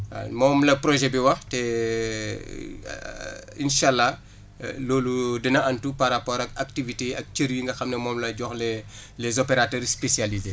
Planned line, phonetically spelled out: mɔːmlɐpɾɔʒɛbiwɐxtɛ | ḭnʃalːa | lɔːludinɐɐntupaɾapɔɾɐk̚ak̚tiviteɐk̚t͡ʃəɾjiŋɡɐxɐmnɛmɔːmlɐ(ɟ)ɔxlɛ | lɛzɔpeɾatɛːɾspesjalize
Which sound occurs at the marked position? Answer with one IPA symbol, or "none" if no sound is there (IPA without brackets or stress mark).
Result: ɟ